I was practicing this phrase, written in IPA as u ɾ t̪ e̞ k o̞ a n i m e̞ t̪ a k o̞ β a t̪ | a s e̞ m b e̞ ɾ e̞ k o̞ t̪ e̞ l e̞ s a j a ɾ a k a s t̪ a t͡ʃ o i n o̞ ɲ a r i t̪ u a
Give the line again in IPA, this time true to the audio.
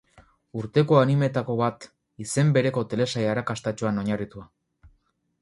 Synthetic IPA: u ɾ t̪ e̞ k o̞ a n i m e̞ t̪ a k o̞ β a t̪ | i s e̞ m b e̞ ɾ e̞ k o̞ t̪ e̞ l e̞ s a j a ɾ a k a s t̪ a t͡ʃ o a n o̞ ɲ a r i t̪ u a